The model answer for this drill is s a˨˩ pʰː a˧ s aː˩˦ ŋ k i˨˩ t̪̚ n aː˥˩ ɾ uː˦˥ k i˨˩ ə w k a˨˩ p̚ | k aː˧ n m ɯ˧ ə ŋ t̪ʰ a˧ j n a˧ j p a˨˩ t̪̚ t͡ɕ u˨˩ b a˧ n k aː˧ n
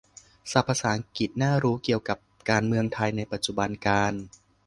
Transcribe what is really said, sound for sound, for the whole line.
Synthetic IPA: s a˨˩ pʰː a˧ s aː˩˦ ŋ k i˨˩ t̪̚ n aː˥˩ ɾ uː˦˥ k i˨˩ ə w k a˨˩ p̚ | k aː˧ n m ɯ˧ ə ŋ t̪ʰ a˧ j n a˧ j p a˨˩ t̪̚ t͡ɕ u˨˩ b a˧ n k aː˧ n